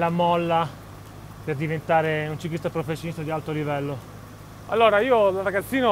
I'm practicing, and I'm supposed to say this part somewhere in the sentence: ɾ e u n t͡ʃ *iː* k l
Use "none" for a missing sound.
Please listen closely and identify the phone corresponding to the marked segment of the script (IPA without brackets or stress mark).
i